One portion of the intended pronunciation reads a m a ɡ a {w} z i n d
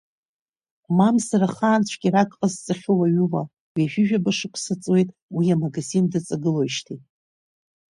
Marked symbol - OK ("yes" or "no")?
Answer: no